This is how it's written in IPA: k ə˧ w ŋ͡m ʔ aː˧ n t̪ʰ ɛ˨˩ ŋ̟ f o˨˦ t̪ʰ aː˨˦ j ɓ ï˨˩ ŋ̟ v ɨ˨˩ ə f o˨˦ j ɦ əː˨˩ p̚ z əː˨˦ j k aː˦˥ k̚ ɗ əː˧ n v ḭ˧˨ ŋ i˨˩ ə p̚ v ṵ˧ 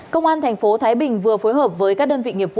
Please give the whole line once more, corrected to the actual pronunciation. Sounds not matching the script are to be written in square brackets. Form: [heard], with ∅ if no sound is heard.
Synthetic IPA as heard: k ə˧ w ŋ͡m ʔ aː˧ n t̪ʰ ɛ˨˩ ŋ̟ f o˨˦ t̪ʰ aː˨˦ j ɓ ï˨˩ ŋ̟ v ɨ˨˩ ə f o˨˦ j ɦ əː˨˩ p̚ [v] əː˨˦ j k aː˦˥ k̚ ɗ əː˧ n v ḭ˧˨ ŋ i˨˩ ə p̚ v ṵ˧